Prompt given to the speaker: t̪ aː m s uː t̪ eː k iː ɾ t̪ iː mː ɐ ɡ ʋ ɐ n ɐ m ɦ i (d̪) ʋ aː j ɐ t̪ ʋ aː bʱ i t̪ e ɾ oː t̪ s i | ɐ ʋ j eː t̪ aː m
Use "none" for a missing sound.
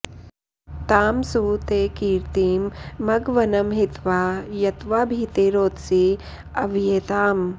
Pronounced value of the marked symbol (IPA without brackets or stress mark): t̪